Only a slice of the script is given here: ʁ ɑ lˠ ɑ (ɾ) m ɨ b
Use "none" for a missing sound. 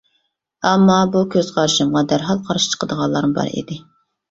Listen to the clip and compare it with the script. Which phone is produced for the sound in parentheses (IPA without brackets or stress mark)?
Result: ɾ